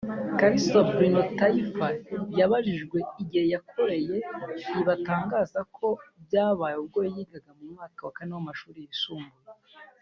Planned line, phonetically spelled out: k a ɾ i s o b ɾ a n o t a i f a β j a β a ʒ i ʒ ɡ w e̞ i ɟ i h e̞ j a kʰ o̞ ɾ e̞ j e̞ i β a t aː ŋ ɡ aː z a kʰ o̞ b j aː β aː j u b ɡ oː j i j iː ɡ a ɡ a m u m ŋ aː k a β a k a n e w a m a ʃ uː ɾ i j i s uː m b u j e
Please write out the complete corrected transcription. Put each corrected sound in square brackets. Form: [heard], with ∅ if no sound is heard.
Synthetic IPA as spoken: k a ɾ i s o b ɾ [i] n o t a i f a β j a β a ʒ i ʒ ɡ w e̞ i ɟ i h e̞ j a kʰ o̞ ɾ e̞ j e̞ i β a t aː ŋ ɡ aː z a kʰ o̞ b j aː β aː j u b ɡ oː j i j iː ɡ a ɡ a m u m ŋ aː k a [w] a k a n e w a m a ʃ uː ɾ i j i s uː m b u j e